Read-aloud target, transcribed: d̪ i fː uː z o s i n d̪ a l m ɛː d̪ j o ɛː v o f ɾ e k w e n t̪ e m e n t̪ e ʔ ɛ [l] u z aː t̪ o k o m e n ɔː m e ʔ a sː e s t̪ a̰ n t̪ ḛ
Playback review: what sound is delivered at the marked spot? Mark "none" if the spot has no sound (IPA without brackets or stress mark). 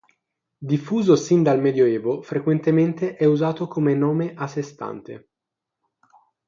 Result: none